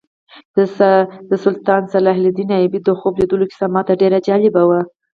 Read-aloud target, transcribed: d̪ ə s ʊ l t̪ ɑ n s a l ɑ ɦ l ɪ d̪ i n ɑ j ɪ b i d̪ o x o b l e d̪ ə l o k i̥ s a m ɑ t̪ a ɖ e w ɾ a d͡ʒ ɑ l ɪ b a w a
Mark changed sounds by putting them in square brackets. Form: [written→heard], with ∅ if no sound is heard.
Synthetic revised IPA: d̪ ə s ʊ l t̪ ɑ n s a l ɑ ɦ l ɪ d̪ i n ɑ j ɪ b i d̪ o x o b l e d̪ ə l o k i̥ s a m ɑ t̪ a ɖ e [w→∅] ɾ a d͡ʒ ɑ l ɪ b a w a